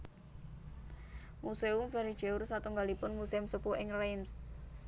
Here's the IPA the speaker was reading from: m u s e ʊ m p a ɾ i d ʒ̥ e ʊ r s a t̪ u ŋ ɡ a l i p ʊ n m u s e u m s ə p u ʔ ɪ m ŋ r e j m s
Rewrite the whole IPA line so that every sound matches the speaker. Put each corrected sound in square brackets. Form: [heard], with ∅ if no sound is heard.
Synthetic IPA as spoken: m u s e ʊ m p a ɾ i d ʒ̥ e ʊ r s a t̪ u ŋ ɡ a l i p ʊ n m u s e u m s ə p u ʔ ɪ [∅] ŋ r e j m s